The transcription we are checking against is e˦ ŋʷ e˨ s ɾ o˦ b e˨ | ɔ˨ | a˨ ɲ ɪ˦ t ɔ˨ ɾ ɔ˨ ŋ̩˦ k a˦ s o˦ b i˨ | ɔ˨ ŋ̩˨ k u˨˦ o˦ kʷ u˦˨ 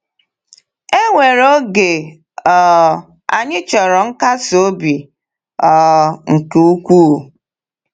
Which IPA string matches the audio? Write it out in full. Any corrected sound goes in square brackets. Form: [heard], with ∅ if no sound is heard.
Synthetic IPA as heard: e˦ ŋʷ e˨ [∅] ɾ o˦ [ɡ] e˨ | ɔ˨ | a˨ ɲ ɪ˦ [t͡ʃ] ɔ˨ ɾ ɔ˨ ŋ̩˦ k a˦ s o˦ b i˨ | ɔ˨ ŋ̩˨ k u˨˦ [u˦] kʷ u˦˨